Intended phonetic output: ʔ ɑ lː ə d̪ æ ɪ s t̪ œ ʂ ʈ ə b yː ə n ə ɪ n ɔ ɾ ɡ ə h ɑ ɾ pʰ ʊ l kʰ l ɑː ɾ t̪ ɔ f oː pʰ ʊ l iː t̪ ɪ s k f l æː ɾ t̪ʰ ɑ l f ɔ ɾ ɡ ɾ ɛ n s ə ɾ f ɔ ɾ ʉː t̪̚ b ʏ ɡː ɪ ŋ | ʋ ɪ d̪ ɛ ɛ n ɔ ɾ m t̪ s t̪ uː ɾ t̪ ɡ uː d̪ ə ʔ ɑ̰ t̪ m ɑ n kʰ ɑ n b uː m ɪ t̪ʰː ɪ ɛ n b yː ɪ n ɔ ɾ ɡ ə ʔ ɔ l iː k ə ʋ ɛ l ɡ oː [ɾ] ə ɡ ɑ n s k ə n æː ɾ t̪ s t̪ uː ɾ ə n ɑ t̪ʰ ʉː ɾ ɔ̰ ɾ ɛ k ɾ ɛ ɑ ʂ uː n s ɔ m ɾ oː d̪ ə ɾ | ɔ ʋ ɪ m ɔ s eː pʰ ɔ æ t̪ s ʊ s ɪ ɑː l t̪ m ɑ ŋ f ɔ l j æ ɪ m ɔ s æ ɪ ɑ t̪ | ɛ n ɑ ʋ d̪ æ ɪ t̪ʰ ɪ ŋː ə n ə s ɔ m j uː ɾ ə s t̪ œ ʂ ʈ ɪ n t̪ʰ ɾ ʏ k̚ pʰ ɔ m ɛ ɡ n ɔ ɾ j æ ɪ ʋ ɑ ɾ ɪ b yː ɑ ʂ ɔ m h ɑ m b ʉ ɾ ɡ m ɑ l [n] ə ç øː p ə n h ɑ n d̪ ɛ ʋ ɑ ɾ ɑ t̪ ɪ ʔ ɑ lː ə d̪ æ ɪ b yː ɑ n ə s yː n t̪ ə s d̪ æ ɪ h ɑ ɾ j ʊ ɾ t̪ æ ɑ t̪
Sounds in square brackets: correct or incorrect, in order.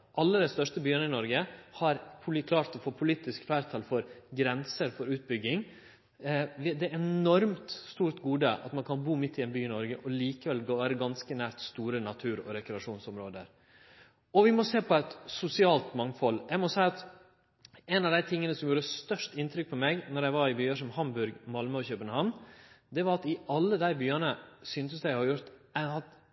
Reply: correct, incorrect: m

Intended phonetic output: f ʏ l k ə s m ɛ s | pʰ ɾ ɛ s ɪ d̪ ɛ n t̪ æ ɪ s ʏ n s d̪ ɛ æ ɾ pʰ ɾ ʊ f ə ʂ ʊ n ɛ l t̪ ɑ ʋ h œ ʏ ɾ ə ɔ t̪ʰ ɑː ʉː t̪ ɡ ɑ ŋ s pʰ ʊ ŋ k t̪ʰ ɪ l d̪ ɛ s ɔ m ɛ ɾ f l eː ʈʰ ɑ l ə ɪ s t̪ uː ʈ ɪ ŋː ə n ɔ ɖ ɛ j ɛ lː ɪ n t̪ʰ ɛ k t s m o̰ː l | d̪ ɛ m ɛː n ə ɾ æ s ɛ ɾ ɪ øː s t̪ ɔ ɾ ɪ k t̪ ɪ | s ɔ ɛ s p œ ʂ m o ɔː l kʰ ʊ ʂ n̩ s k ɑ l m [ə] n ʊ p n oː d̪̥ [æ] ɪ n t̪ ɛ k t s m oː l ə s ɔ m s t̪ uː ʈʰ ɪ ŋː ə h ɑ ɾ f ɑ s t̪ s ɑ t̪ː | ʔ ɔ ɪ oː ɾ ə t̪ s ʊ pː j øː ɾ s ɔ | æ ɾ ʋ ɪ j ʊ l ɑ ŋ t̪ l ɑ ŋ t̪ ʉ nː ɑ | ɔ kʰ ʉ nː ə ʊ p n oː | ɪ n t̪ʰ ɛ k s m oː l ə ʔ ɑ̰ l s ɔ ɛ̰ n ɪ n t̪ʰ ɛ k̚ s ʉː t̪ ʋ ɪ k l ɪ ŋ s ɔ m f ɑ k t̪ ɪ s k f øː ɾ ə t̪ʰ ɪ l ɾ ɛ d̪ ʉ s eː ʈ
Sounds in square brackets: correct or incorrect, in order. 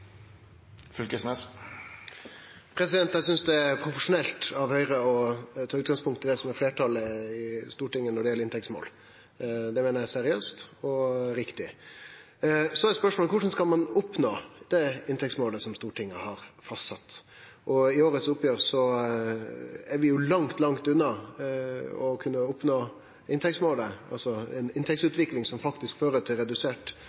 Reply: incorrect: ɑ, incorrect: ɛ

